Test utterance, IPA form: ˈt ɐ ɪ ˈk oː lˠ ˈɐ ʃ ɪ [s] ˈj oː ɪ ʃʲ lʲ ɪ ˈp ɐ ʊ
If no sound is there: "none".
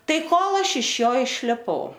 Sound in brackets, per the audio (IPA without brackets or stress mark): ʃ